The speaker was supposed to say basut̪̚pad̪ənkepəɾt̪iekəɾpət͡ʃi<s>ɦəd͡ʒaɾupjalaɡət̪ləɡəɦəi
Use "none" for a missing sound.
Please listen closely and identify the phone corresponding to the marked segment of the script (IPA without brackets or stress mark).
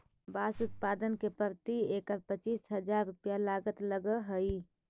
s